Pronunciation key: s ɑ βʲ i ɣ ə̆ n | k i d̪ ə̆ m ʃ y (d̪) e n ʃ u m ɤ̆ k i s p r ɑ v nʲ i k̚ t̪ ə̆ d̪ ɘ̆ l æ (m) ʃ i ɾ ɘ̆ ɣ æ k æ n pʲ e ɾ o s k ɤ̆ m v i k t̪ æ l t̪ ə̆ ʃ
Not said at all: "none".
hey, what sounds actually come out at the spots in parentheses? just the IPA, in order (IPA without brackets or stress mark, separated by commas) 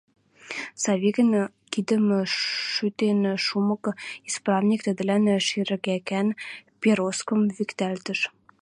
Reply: t̪, n